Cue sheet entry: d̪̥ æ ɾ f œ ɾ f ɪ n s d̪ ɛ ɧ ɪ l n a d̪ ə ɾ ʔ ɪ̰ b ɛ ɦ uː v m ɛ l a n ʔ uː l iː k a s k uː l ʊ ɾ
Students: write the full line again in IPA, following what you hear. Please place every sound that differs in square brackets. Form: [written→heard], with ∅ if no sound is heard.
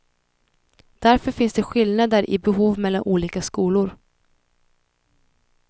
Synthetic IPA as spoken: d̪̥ æ ɾ f œ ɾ f ɪ n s d̪ ɛ ɧ ɪ l n a d̪ ə ɾ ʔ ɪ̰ b ɛ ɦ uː v m ɛ [l→lː] a n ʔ uː l iː k a s k uː l ʊ ɾ